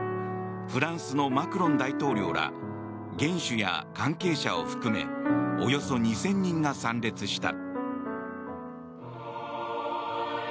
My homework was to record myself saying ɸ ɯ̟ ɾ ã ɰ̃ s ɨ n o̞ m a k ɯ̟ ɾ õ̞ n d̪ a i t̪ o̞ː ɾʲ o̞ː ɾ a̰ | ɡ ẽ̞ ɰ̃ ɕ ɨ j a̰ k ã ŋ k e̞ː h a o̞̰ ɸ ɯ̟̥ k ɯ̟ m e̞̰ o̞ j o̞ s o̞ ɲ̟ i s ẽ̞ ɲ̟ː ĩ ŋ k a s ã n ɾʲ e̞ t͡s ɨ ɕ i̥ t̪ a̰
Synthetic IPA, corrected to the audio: ɸ ɯ̟ ɾ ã ɰ̃ s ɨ n o̞ m a k ɯ̟ ɾ õ̞ n d̪ a i t̪ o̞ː ɾʲ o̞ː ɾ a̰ | ɡ ẽ̞ ɰ̃ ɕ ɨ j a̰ k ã ŋ k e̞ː ɕ a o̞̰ ɸ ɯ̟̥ k ɯ̟ m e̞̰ o̞ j o̞ s o̞ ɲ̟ i s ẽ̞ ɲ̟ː ĩ ŋ ɡ a s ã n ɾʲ e̞ t͡s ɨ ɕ i̥ t̪ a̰